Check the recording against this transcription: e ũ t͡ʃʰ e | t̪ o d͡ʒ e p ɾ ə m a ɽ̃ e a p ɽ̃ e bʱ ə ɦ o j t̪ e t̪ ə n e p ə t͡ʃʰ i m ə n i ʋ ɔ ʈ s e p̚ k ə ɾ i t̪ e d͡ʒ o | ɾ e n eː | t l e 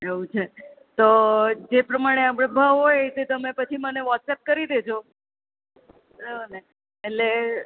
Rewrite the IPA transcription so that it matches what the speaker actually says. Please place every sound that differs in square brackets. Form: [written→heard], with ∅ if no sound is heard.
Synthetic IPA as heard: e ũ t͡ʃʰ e | t̪ o d͡ʒ e p ɾ ə m a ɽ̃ e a p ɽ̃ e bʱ ə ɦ o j t̪ e t̪ ə [n→m] e p ə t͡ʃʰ i m ə n [i→e] ʋ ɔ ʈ s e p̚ k ə ɾ i [t̪→d̪] e d͡ʒ o | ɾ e n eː | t l e